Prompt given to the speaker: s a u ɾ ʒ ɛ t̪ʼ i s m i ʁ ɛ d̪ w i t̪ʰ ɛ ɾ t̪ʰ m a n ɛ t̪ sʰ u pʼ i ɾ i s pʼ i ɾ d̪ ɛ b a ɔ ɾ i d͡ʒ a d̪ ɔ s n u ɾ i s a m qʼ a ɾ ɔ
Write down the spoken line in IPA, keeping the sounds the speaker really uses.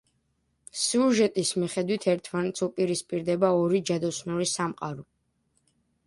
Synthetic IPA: s i u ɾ ʒ ɛ t̪ʼ i s m i χ ɛ d̪ w i t̪ʰ ɛ ɾ t̪ʰ m a n ɛ t̪ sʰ u pʼ i ɾ i s pʼ i ɾ d̪ ɛ b a ɔ ɾ i d͡ʒ a d̪ ɔ s n u ɾ i s a m qʼ a ɾ ɔ